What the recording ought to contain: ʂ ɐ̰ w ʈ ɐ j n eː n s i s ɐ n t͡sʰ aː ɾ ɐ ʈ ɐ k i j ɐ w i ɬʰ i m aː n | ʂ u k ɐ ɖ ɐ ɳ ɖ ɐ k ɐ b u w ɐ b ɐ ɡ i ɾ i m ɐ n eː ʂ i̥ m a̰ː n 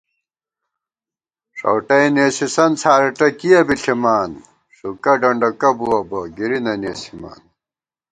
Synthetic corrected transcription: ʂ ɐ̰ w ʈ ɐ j n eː s i s ɐ n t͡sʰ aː ɾ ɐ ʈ ɐ k i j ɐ b i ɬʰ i m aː n | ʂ u k ɐ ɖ ɐ ɳ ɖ ɐ k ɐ b u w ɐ b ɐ ɡ i ɾ i n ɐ n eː s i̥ m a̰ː n